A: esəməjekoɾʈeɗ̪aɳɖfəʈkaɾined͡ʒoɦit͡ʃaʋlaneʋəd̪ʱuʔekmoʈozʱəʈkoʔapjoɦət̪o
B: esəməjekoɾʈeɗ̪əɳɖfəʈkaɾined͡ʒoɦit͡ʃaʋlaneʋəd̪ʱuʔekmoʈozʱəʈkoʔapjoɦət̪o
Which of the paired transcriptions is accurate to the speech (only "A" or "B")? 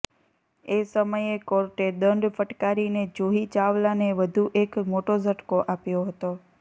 B